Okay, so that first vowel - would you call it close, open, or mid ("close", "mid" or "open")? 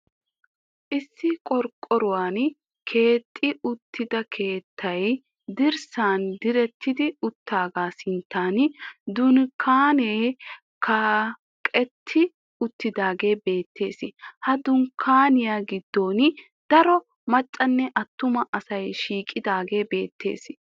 close